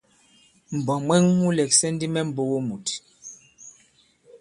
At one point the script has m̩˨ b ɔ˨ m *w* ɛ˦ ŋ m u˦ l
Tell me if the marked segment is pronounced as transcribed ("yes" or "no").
yes